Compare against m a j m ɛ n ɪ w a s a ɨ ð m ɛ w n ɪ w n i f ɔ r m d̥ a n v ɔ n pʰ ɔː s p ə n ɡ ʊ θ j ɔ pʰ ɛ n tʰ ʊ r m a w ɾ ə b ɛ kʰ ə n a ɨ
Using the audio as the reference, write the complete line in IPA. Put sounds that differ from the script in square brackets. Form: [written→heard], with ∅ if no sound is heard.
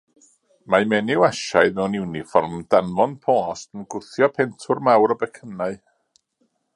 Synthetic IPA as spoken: m a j m ɛ n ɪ w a [s→ʃ] a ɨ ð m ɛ w n ɪ w n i f ɔ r m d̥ a n v ɔ n pʰ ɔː s [p→t] ə n ɡ ʊ θ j ɔ pʰ ɛ n tʰ ʊ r m a w ɾ ə b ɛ kʰ ə n a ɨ